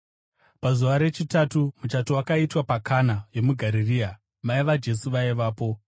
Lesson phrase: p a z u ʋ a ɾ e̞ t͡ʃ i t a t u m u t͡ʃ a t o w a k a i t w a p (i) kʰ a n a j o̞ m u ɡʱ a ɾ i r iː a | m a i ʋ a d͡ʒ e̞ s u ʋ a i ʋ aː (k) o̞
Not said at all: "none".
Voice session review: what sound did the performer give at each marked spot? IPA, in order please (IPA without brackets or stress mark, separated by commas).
a, p